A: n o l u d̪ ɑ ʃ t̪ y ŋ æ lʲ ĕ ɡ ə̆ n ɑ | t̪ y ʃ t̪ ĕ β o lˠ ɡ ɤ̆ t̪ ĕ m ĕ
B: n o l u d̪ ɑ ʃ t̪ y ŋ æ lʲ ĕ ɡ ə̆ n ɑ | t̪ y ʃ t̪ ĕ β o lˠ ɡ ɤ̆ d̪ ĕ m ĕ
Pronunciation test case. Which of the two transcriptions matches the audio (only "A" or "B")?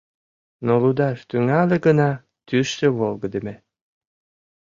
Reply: B